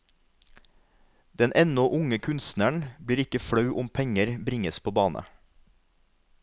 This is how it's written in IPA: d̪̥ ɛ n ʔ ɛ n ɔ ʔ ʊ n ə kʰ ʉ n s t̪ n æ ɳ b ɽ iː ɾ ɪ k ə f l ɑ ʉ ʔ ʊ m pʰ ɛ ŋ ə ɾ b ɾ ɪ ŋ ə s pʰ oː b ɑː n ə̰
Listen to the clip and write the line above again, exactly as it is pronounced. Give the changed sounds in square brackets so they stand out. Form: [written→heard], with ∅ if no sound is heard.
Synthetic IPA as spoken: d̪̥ ɛ n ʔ ɛ n ɔ ʔ ʊ [n→ŋ] ə kʰ ʉ n s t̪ n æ ɳ b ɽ iː ɾ ɪ k ə f [l→ɽ] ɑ ʉ ʔ ʊ m pʰ ɛ ŋ ə ɾ b ɾ ɪ ŋ ə s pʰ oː b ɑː n ə̰